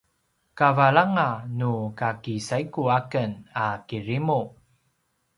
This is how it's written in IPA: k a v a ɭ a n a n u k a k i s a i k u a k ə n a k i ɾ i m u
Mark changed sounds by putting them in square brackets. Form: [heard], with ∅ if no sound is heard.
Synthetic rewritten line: k a v a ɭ a [ŋ] a n u k a k i s a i k u a k ə n a k i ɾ i m u